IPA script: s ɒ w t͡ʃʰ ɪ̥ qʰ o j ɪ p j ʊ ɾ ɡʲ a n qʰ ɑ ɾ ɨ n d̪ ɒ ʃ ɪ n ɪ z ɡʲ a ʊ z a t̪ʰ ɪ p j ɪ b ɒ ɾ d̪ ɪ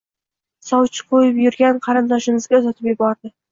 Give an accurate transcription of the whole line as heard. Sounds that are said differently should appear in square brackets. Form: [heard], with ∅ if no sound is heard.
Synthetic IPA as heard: s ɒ w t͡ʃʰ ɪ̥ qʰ o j ɪ p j ʊ ɾ ɡʲ a n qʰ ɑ ɾ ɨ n d̪ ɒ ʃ ɪ n ɪ z ɡʲ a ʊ z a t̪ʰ ɪ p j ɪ b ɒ ɾ d̪ ɪ

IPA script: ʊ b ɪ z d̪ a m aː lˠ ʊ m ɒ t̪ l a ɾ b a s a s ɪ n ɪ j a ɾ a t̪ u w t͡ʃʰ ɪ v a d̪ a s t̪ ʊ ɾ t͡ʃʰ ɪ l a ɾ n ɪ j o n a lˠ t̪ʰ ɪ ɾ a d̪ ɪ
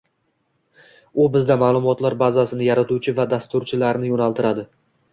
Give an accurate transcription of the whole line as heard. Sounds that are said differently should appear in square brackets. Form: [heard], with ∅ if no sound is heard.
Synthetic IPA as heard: ʊ b ɪ z d̪ a m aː lˠ ʊ m ɒ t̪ l a ɾ b a [z] a s ɪ n ɪ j a ɾ a t̪ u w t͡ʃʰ ɪ v a d̪ a s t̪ ʊ ɾ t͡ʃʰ ɪ l a ɾ n ɪ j o n a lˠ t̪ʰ ɪ ɾ a d̪ ɪ

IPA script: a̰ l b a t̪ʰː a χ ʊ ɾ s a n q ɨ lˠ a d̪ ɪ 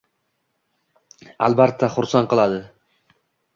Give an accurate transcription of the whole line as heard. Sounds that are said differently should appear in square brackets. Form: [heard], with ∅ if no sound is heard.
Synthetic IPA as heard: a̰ l b a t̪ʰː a χ ʊ ɾ s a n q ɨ lˠ a d̪ ɪ

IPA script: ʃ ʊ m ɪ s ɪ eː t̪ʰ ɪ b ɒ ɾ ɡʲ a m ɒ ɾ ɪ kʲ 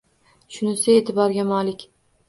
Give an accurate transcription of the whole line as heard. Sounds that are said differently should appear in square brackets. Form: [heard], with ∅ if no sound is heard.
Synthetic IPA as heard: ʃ ʊ [n] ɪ s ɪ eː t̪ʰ ɪ b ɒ ɾ ɡʲ a m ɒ [l] ɪ kʲ

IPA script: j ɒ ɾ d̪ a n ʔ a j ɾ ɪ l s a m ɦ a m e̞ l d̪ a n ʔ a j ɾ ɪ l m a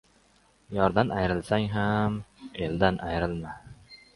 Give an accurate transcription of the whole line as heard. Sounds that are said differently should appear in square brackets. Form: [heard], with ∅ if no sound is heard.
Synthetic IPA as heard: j ɒ ɾ d̪ a n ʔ a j ɾ ɪ l s a [ŋ] ɦ a m e̞ l d̪ a n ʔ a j ɾ ɪ l m a

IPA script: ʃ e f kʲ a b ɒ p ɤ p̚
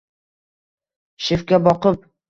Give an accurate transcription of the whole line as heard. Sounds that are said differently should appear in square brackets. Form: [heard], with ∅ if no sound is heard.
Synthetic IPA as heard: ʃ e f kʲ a b ɒ [q] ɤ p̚

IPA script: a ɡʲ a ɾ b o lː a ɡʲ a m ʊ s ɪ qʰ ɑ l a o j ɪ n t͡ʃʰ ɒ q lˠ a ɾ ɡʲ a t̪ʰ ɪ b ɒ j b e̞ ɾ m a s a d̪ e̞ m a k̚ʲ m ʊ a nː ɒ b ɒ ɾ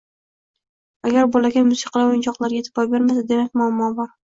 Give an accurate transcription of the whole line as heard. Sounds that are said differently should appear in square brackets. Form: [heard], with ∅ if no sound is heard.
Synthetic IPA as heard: a ɡʲ a ɾ b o [l] a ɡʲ a m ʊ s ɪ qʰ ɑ l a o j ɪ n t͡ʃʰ ɒ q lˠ a ɾ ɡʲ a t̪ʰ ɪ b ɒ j b e̞ ɾ m a s a d̪ e̞ m a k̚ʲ m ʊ a [mː] ɒ b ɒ ɾ

